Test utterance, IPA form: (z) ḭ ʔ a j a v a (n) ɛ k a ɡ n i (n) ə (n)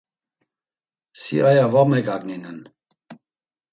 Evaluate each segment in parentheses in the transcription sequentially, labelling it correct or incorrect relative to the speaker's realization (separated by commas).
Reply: incorrect, incorrect, correct, correct